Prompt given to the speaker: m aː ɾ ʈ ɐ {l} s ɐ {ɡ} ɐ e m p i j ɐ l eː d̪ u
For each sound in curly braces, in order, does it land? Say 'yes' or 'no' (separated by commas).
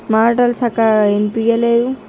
yes, no